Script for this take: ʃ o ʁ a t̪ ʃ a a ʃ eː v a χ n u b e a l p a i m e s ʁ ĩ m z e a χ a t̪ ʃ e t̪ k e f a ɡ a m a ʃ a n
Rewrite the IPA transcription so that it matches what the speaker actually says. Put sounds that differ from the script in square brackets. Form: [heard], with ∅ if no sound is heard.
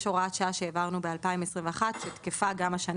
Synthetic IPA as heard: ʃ o ʁ a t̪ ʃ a a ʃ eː v a [ʁ] n u b e a l p a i m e s ʁ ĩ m [v] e a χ a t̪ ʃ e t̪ k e f a ɡ a m a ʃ a n